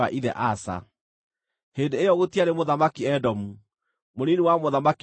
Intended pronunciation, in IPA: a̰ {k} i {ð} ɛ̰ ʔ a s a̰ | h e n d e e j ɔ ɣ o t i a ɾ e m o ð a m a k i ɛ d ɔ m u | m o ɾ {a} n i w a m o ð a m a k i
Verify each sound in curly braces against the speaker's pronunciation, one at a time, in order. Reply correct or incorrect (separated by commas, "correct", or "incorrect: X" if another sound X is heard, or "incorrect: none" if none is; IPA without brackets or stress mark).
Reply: incorrect: ʔ, correct, incorrect: i